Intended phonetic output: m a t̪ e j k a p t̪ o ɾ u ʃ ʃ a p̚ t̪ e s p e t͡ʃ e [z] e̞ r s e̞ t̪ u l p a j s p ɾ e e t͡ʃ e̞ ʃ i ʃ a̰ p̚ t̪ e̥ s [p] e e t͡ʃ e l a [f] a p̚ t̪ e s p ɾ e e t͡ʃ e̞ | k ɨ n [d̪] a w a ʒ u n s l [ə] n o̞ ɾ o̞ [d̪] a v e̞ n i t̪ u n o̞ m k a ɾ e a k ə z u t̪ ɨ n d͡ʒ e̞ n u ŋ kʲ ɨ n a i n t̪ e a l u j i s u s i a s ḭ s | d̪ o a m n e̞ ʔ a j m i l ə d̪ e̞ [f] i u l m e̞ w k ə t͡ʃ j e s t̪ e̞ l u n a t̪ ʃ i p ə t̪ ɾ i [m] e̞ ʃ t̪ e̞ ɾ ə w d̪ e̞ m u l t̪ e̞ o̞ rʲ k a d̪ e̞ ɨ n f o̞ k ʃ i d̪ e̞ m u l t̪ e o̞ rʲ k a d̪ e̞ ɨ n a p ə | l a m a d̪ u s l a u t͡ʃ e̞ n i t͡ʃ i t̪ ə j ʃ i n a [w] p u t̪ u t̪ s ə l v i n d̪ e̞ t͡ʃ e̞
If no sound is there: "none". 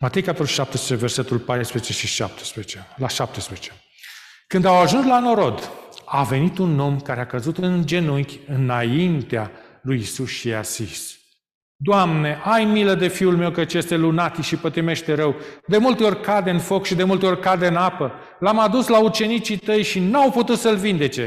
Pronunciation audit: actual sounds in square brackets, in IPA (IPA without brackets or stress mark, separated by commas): v, p, ʃ, d̪, a, d̪, f, m, w